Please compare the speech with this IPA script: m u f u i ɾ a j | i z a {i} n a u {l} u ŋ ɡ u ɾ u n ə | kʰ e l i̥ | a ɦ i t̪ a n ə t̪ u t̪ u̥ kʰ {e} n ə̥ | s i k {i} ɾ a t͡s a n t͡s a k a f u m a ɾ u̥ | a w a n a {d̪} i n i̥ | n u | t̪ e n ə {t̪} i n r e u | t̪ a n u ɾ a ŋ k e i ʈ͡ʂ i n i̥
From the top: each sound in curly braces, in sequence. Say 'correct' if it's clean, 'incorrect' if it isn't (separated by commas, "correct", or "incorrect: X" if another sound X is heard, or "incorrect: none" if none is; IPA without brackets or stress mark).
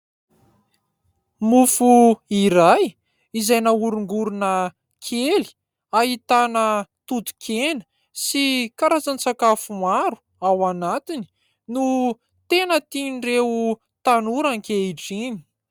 incorrect: j, incorrect: ɾ, correct, incorrect: a, incorrect: t̪, correct